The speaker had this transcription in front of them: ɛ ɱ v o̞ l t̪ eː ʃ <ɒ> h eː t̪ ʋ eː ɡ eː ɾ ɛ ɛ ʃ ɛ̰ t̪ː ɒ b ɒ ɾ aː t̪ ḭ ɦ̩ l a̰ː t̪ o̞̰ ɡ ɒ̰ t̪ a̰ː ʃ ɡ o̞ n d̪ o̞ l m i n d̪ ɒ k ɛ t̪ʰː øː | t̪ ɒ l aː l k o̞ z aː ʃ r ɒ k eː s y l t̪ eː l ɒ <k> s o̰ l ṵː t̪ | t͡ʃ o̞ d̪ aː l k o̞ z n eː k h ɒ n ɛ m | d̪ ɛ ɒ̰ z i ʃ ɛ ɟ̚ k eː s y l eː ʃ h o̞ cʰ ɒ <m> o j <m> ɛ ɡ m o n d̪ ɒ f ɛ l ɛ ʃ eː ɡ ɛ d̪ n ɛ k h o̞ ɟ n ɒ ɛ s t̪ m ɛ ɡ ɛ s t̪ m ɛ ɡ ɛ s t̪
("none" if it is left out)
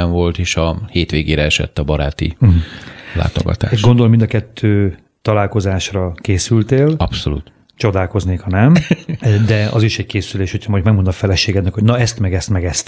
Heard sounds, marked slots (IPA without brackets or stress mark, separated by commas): ɒ, p, m, m